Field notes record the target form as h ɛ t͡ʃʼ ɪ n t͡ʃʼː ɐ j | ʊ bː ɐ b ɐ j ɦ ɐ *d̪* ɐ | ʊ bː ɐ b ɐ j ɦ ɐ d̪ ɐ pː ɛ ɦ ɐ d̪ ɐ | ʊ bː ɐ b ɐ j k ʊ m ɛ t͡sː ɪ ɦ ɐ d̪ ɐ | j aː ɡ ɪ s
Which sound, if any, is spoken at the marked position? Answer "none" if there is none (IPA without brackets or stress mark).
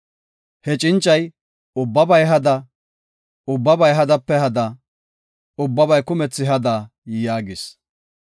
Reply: d̪